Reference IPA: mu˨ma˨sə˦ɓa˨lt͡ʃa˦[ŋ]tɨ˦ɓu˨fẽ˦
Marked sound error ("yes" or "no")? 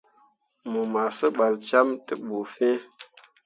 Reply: yes